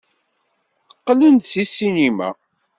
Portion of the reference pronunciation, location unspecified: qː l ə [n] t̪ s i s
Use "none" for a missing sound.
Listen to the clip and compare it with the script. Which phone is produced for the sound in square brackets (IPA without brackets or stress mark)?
n